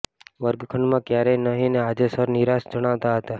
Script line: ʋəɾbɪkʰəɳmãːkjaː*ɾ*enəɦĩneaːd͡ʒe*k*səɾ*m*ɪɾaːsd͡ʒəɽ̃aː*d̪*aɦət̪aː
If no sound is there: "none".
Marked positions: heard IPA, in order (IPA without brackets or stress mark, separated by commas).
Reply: ɾ, none, n, t̪